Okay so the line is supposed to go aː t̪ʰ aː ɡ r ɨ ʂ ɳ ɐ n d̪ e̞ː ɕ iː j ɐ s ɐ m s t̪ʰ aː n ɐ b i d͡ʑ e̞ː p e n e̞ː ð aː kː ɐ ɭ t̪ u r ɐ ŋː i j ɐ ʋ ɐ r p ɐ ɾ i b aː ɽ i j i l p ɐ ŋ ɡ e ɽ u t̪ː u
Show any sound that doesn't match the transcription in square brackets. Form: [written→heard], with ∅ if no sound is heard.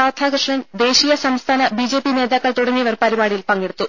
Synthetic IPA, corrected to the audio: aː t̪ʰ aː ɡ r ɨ ʂ ɳ ɐ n d̪ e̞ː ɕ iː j ɐ s ɐ m s t̪ʰ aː n ɐ b i d͡ʑ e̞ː p [e→i] n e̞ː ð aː kː ɐ ɭ t̪ u [r→ɽ] ɐ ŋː i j ɐ ʋ ɐ r p ɐ ɾ i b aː ɽ i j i l p ɐ ŋ ɡ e ɽ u t̪ː u

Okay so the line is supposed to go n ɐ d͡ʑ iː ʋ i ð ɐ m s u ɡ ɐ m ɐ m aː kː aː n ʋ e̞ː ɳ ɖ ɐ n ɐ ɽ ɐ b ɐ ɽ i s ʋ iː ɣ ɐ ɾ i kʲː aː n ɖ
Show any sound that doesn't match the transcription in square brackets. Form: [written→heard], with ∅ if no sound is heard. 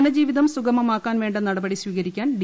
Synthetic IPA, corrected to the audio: n ɐ d͡ʑ iː ʋ i ð ɐ m s u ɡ ɐ m ɐ m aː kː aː n ʋ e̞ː ɳ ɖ ɐ n ɐ ɽ ɐ b ɐ ɽ i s ʋ iː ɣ ɐ ɾ i kʲː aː n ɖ

